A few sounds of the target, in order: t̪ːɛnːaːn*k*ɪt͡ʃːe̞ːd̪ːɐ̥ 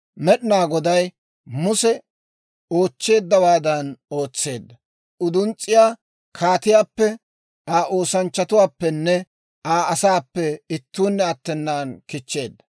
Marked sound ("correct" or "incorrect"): correct